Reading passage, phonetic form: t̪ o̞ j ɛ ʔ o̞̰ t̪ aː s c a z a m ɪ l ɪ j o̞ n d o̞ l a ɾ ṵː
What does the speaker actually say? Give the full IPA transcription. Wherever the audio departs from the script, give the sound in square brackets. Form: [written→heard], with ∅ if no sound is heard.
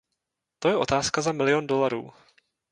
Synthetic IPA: t̪ o̞ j ɛ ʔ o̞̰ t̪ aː s [c→k] a z a m ɪ l ɪ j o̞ n d o̞ l a ɾ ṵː